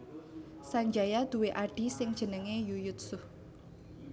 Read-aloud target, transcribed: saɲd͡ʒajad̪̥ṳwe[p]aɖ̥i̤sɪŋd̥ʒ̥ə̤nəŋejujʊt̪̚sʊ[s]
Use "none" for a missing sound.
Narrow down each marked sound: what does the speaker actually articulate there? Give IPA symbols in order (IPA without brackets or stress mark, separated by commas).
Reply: ʔ, h